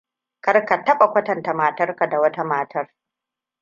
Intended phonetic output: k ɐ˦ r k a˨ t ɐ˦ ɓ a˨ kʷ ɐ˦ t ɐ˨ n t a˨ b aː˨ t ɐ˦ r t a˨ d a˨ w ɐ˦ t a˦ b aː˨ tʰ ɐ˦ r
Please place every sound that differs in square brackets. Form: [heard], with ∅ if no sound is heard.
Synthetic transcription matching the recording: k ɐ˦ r k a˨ t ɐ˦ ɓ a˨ kʷ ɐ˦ t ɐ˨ n t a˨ [m] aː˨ t ɐ˦ r [k] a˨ d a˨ w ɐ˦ t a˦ [m] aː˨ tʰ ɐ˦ r